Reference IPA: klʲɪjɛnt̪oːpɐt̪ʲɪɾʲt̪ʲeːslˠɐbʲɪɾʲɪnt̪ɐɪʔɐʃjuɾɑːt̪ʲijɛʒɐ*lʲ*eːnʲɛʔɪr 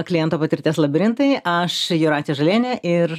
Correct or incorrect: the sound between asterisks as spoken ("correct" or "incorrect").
correct